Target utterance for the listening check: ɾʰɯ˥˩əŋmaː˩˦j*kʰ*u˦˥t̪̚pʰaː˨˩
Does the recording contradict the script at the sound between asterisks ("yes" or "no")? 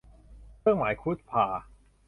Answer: no